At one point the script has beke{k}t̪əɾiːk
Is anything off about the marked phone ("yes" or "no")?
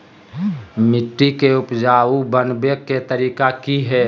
yes